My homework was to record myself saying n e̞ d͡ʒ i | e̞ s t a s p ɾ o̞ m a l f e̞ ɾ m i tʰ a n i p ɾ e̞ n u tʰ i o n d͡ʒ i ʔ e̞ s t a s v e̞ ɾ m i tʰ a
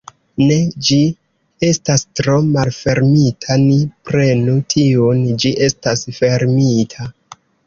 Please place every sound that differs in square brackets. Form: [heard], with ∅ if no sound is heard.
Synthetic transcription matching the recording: n e̞ d͡ʒ i | e̞ s t a s [t] ɾ o̞ m a l f e̞ ɾ m i tʰ a n i p ɾ e̞ n u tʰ i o n d͡ʒ i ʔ e̞ s t a s [f] e̞ ɾ m i tʰ a